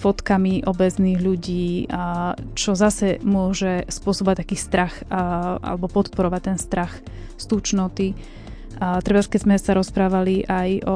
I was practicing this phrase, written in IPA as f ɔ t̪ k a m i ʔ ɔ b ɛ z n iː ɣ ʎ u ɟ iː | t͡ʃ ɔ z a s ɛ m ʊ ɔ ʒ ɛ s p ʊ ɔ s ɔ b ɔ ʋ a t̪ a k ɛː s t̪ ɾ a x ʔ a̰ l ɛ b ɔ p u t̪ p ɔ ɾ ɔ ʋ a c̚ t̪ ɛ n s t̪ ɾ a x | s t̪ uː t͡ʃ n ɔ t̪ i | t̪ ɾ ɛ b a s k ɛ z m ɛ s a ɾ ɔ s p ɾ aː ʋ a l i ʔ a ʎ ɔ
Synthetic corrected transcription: f ɔ t̪ k a m i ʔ ɔ b ɛ z n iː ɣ ʎ u ɟ iː | t͡ʃ ɔ z a s ɛ m ʊ ɔ ʒ ɛ s p ʊ ɔ s ɔ b ɔ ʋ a t̪ a k iː s t̪ ɾ a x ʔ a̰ l ɛ b ɔ p ɔ t̪ p ɔ ɾ ɔ ʋ a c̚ t̪ ɛ n s t̪ ɾ a x | s t̪ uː t͡ʃ n ɔ t̪ i | t̪ ɾ ɛ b a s k ɛ z m ɛ s a ɾ ɔ s p ɾ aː ʋ a l i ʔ a j ɔ